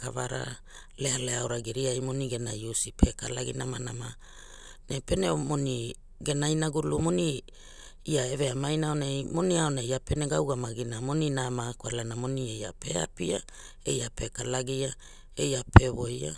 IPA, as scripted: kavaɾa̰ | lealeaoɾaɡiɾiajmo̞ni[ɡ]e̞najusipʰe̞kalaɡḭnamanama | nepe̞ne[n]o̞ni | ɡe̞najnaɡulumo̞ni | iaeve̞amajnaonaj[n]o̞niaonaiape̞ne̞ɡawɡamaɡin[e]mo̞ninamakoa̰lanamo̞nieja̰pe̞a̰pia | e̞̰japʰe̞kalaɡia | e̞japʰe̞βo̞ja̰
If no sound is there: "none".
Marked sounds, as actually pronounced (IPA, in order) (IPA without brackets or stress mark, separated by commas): ɡ, m, m, a